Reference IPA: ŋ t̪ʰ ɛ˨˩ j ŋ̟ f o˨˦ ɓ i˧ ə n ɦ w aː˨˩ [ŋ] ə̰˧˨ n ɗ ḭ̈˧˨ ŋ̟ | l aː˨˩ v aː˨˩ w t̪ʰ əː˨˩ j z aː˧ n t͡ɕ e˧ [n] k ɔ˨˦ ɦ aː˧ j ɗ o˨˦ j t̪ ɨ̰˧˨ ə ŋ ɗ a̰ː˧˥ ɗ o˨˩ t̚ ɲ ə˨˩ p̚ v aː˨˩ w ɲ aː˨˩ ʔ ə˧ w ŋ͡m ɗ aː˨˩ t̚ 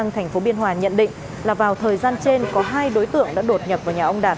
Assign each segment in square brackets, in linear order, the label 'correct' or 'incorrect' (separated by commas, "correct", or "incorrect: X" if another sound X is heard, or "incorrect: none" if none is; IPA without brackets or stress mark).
incorrect: ɲ, correct